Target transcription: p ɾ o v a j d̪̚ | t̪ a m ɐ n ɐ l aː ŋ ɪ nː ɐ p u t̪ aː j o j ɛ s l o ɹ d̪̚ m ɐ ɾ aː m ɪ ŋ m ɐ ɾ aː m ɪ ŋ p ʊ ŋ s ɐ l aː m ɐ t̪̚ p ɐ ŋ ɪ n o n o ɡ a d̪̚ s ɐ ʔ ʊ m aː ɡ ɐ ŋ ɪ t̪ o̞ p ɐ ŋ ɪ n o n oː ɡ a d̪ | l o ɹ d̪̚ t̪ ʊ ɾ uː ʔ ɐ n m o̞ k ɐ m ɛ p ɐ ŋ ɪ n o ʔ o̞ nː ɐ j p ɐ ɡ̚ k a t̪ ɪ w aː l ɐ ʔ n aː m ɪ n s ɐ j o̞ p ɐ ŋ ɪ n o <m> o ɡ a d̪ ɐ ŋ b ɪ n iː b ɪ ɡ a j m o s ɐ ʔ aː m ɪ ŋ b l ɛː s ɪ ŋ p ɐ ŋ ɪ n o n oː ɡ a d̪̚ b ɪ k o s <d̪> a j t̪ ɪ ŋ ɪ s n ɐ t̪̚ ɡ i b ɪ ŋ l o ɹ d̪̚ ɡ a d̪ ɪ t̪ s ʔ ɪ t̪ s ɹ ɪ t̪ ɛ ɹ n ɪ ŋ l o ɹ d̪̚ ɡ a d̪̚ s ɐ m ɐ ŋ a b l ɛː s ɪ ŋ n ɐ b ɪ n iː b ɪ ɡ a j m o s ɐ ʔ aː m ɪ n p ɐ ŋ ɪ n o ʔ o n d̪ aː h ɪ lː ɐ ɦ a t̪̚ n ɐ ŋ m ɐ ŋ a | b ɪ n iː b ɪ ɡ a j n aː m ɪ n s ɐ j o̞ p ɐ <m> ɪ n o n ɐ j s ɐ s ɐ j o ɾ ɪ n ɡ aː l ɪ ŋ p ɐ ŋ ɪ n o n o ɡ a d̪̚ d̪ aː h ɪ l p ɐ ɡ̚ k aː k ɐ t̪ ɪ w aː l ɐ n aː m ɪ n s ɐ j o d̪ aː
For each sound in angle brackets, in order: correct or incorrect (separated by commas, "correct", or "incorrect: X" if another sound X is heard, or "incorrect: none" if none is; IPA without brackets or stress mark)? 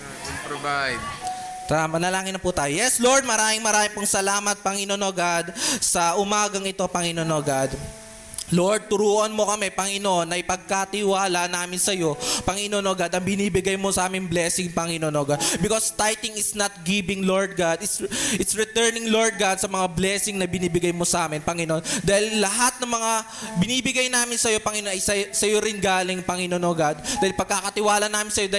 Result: incorrect: n, incorrect: t̪, incorrect: ŋ